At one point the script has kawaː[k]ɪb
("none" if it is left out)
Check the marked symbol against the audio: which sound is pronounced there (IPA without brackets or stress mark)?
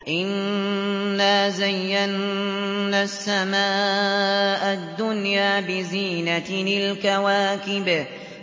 k